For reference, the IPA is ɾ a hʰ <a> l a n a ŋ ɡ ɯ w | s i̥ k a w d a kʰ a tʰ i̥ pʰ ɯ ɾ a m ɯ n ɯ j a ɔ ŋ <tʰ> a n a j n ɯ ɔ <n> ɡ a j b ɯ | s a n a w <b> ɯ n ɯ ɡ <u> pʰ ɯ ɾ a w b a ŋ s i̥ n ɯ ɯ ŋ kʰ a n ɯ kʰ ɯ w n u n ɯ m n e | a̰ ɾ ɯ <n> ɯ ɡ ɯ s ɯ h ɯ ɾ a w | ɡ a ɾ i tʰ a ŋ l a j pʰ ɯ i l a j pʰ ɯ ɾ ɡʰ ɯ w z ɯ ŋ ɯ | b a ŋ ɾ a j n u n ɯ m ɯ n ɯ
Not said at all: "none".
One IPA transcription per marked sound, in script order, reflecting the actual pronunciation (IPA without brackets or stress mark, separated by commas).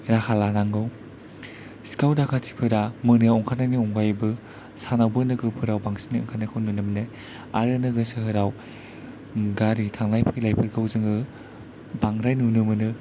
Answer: a, kʰ, ŋ, b, ɯ, n